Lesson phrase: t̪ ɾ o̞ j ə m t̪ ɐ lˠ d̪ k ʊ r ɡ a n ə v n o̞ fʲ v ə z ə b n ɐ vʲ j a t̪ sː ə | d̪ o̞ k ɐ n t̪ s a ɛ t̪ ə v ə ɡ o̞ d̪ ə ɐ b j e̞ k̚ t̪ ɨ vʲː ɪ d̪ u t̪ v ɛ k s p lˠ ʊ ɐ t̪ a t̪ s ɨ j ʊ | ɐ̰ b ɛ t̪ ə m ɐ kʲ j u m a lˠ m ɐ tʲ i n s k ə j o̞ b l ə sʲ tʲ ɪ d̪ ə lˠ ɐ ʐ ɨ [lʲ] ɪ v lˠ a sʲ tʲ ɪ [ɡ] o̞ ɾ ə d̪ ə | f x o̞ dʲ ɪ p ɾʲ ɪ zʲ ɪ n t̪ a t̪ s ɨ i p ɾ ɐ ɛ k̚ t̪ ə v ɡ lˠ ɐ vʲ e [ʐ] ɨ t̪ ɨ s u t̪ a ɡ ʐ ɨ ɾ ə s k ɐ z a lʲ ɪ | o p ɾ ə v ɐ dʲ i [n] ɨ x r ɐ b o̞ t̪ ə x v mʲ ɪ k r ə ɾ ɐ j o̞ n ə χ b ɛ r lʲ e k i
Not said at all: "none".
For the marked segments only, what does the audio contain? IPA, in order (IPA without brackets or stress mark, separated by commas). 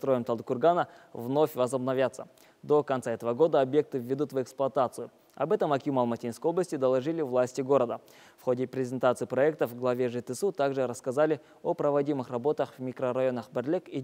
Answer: lʲ, ɡ, ʐ, m